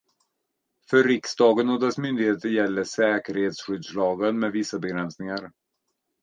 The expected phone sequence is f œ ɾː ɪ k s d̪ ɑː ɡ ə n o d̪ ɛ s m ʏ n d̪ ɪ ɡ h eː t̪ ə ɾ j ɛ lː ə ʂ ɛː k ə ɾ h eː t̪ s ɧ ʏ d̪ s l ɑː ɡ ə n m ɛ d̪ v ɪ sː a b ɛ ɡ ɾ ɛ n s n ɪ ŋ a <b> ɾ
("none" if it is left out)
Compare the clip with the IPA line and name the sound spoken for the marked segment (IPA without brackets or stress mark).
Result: none